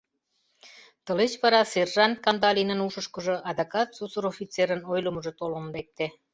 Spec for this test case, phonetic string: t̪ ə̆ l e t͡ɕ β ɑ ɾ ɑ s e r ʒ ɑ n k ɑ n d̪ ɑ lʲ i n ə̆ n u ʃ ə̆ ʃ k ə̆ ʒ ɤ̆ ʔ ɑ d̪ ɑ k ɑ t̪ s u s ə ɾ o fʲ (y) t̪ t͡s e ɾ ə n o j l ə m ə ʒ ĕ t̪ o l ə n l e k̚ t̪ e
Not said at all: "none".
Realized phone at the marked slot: i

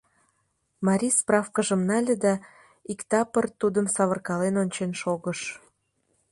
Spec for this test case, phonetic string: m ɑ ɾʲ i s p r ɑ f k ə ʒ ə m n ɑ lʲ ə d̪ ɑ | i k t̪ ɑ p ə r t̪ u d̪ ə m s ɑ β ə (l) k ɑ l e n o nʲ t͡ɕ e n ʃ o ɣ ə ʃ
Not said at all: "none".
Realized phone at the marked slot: r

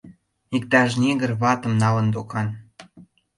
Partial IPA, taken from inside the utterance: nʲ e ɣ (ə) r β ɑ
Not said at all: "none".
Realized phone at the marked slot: ə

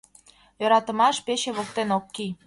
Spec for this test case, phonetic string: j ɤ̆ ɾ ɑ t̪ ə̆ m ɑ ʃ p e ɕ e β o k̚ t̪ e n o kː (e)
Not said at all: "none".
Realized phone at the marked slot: i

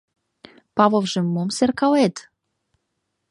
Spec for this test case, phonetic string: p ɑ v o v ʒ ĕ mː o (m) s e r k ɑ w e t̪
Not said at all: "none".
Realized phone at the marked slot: m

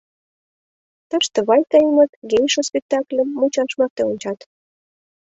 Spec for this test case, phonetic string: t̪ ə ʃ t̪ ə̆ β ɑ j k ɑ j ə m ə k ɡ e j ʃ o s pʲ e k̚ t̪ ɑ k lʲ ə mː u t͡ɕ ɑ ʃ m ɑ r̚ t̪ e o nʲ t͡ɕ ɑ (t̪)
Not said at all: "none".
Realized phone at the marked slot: t̪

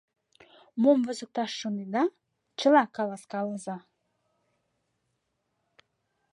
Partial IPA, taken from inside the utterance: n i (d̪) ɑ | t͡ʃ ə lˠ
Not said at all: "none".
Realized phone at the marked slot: d̪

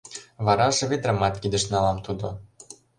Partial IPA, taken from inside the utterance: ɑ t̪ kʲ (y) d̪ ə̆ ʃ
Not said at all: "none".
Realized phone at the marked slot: i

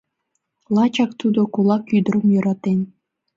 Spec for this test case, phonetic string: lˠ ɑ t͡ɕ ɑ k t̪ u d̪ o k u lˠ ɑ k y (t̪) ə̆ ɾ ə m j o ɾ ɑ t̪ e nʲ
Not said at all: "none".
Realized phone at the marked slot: d̪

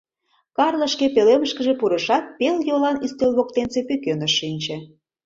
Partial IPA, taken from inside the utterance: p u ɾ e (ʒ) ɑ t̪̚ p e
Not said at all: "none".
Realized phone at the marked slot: ʃ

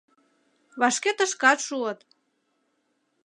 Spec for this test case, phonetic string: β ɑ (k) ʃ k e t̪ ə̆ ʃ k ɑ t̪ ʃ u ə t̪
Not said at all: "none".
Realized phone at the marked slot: none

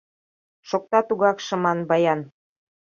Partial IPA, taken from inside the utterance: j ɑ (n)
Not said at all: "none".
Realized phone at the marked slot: n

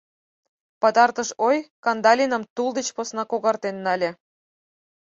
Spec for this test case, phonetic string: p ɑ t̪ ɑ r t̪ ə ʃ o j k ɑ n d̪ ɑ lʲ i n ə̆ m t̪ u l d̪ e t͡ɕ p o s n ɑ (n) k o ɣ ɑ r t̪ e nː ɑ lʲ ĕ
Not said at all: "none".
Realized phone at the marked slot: none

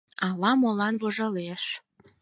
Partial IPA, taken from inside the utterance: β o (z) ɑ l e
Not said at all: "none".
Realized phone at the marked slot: ʒ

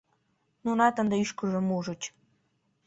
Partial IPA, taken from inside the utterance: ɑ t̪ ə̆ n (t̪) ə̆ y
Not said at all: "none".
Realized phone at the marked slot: d̪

